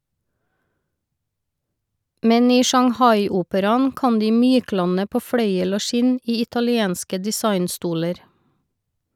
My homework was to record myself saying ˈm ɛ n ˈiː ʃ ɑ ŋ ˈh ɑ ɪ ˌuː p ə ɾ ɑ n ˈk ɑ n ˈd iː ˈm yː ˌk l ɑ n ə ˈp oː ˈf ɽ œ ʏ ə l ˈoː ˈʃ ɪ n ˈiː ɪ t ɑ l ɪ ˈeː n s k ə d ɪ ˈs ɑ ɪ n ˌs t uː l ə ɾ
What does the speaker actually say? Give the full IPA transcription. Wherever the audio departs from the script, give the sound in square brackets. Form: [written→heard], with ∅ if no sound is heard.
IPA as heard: ˈm ɛ n ˈiː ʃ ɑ ŋ ˈh ɑ ɪ ˌuː p ə ɾ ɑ n ˈk ɑ n ˈd iː ˈm yː ˌk l ɑ n ə ˈp oː ˈf ɽ œ ʏ ə l ˈoː ˈʃ ɪ n ˈiː ɪ t ɑ l ɪ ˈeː n s k ə d ɪ ˈs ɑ ɪ n ˌs t uː l ə ɾ